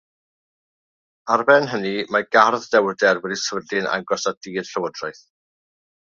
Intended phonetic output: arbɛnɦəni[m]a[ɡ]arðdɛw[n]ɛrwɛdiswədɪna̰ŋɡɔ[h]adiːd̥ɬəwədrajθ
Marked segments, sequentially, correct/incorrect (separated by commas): correct, correct, incorrect, incorrect